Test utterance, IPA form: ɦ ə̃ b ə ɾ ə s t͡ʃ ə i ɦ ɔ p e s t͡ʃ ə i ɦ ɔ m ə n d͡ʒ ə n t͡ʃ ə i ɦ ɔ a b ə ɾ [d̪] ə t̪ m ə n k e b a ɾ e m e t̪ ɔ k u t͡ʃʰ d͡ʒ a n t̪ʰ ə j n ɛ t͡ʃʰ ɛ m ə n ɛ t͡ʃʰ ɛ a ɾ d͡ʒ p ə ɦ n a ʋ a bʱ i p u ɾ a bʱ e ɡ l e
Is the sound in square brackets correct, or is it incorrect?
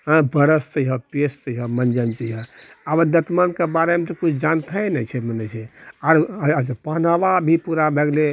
correct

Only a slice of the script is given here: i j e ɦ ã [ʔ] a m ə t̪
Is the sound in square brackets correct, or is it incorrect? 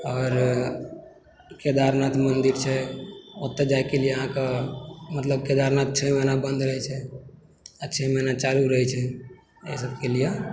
incorrect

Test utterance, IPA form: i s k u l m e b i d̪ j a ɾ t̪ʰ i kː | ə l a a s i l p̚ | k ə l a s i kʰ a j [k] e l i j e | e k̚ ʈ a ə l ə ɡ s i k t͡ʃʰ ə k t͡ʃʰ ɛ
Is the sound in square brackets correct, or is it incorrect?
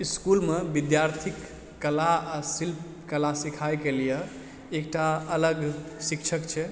correct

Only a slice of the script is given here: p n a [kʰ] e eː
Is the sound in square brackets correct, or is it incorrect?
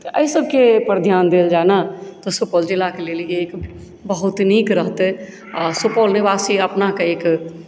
incorrect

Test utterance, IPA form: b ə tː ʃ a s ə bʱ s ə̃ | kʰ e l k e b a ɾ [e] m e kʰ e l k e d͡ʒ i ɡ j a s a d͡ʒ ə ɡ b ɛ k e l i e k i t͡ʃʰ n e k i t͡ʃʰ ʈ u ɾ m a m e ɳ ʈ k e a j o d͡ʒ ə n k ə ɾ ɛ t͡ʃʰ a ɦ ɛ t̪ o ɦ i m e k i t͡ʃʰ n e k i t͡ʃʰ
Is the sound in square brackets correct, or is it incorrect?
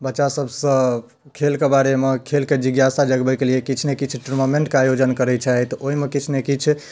correct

